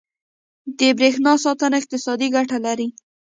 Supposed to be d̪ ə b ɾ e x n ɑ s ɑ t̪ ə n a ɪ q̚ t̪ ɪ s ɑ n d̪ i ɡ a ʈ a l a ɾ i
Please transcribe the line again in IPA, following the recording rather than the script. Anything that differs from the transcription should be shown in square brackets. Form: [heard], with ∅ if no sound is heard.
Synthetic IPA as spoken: d̪ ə b ɾ e x n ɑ s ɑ t̪ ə n a ɪ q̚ t̪ ɪ s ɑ [∅] d̪ i ɡ a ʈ a l a ɾ i